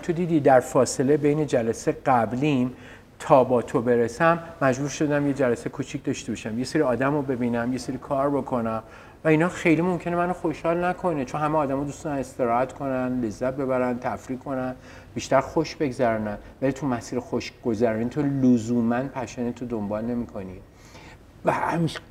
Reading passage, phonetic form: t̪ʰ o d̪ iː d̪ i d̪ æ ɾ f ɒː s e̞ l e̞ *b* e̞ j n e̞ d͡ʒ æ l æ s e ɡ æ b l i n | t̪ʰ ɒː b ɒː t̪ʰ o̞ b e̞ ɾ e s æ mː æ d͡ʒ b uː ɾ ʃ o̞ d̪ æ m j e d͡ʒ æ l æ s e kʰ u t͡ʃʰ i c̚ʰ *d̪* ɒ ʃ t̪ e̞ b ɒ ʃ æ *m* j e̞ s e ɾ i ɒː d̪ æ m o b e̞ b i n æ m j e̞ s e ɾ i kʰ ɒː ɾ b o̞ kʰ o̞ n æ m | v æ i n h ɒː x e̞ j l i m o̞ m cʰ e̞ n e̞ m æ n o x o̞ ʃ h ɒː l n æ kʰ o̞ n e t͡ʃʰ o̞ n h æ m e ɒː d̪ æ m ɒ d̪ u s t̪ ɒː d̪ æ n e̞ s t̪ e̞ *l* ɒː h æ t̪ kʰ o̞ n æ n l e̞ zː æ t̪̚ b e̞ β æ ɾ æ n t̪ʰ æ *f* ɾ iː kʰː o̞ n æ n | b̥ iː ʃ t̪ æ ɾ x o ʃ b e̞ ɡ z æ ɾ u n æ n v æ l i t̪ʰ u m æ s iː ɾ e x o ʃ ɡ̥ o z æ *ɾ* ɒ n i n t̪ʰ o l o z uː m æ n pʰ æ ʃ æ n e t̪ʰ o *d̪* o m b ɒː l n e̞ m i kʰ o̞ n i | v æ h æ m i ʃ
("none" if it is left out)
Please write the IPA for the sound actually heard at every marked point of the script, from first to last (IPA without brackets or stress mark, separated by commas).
b, d̪, m, ɾ, f, ɾ, d̪